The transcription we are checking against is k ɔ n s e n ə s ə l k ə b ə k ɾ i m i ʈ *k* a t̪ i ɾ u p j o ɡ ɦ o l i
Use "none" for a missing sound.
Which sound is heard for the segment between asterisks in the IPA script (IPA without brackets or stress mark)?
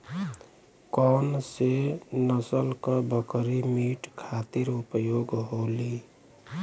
kʰ